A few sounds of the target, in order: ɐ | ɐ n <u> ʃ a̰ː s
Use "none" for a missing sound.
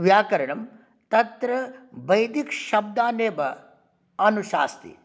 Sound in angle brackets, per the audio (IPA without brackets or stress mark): u